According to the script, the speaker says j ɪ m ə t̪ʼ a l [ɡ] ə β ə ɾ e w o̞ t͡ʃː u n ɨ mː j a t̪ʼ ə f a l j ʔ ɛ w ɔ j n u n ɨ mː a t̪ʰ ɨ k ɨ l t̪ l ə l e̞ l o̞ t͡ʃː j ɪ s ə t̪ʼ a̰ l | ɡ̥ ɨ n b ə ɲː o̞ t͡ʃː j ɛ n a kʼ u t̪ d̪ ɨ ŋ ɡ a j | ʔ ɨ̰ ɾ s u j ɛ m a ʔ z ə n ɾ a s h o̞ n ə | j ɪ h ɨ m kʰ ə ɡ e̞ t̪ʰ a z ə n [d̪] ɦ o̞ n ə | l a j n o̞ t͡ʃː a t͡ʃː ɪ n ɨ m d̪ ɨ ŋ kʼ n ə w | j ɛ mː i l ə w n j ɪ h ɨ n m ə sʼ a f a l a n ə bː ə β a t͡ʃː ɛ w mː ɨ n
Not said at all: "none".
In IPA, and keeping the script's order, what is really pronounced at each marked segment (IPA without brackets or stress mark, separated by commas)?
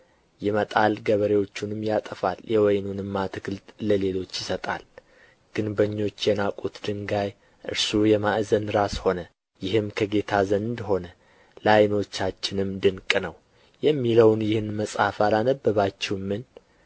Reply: ɡ, d̪